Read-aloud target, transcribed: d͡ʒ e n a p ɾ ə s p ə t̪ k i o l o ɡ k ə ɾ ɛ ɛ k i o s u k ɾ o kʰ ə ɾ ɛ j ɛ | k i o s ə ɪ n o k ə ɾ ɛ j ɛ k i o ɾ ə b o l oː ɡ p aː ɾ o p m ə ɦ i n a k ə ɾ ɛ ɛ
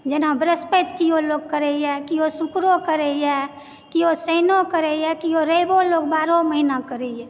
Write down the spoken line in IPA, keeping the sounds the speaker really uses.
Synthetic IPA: d͡ʒ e n a b ɾ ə s p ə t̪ k i o l o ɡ k ə ɾ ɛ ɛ k i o s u k ɾ o k ə ɾ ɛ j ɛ | k i o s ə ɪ n o k ə ɾ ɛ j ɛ k i o ɾ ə b o l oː ɡ b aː ɾ o m ə ɦ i n a k ə ɾ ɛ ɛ